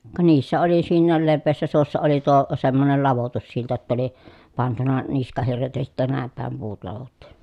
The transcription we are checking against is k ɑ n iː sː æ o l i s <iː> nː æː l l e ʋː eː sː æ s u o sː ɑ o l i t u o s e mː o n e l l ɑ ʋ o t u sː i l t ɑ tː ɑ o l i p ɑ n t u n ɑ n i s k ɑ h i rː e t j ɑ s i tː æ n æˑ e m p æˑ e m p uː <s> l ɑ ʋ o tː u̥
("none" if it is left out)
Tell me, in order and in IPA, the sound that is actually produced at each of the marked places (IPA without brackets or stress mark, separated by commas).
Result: iː, t